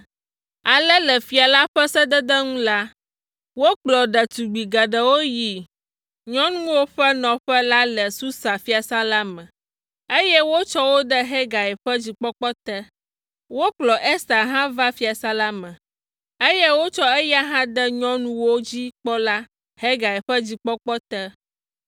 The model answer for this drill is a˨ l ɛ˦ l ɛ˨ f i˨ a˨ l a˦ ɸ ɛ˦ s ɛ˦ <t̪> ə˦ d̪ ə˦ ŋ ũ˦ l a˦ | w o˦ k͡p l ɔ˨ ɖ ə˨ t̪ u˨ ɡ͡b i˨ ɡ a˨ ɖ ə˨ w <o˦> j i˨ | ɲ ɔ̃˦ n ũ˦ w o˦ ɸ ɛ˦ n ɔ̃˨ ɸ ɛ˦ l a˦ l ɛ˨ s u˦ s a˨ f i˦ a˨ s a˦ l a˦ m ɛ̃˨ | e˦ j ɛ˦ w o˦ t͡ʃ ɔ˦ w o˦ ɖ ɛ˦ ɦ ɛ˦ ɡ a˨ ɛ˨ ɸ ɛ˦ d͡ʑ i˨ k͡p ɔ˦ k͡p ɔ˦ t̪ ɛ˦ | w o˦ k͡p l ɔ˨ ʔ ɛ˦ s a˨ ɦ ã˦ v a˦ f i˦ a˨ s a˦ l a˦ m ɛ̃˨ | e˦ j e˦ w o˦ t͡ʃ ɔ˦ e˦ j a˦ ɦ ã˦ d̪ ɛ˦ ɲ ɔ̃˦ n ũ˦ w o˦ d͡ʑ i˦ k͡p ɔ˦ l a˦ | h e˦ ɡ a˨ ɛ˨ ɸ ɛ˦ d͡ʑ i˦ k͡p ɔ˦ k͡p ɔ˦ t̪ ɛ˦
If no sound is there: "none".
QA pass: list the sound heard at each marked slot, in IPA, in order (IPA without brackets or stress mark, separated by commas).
d̪, o˦